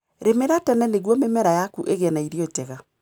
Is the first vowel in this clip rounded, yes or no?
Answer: no